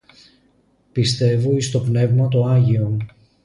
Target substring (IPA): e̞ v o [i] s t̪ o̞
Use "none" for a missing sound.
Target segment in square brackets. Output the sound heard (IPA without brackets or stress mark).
i